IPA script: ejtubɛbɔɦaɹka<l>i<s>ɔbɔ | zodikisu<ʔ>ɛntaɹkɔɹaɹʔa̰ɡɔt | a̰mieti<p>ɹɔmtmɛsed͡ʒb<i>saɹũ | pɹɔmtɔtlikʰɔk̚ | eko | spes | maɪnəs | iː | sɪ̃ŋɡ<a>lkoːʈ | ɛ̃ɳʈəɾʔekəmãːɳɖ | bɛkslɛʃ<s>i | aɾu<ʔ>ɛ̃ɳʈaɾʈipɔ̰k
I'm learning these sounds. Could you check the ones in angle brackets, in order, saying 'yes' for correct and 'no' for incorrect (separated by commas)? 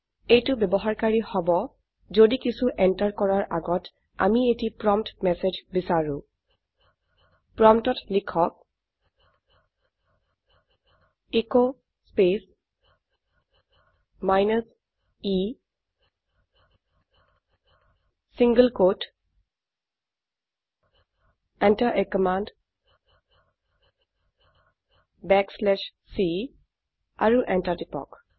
no, no, yes, yes, yes, no, yes, yes